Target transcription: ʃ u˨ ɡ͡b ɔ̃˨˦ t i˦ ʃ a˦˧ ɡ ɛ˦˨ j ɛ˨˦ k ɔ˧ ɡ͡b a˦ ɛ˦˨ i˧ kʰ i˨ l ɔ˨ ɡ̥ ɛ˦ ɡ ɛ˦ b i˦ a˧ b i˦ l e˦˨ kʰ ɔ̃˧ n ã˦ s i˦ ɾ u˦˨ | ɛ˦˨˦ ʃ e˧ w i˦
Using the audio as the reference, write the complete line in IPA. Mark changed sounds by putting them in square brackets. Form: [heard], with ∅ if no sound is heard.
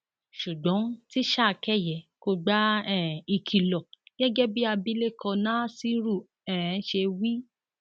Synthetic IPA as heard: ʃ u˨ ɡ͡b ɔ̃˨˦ t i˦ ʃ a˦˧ [k] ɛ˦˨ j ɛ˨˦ k [o˧] ɡ͡b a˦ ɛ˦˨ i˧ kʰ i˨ l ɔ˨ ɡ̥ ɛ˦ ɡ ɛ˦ b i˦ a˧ b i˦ l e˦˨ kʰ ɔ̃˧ n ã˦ s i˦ ɾ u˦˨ | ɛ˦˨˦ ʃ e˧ w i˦